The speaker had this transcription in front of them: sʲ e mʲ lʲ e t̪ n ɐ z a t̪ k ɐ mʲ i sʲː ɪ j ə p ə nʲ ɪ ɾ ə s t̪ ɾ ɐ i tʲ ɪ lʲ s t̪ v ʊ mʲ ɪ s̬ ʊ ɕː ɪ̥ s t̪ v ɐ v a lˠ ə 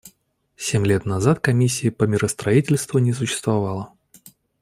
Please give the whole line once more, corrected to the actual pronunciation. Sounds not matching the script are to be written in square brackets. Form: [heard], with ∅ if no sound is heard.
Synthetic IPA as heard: sʲ e mʲ lʲ e t̪ n ɐ z a t̪ k ɐ mʲ i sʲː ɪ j ə p ə [mʲ] ɪ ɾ ə s t̪ ɾ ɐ i tʲ ɪ lʲ s t̪ v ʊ [nʲ] ɪ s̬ ʊ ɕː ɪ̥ s t̪ v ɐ v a lˠ ə